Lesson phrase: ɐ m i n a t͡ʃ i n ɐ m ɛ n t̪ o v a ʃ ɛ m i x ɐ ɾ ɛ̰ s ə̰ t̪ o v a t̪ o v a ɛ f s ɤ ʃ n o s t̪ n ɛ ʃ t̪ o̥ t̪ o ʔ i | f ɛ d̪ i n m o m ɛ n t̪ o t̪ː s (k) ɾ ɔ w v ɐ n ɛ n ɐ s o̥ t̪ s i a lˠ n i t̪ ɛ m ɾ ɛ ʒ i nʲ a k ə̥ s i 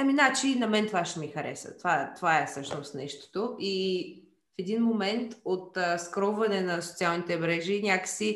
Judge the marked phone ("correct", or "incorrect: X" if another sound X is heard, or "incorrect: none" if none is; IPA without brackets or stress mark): correct